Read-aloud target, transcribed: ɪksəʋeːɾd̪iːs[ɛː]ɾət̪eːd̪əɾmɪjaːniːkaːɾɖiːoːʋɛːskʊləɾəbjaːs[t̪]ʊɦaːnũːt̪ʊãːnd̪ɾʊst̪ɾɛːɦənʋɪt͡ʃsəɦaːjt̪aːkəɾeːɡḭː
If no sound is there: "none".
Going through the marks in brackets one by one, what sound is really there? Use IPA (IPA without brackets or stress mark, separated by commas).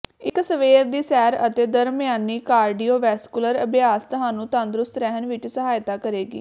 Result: ɛː, t̪